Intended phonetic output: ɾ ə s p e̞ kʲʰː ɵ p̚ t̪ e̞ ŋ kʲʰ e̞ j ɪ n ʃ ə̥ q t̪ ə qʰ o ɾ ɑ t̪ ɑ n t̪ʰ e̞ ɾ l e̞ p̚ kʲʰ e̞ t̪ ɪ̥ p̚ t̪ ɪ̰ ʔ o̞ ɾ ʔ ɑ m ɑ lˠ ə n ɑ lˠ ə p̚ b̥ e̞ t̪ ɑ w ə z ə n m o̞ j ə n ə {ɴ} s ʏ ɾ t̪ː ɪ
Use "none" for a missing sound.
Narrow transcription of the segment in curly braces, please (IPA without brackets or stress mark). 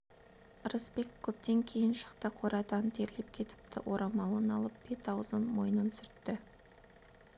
n